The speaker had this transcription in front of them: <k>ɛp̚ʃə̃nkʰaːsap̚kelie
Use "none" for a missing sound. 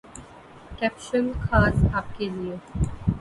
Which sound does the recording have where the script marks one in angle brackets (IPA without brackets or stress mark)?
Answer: k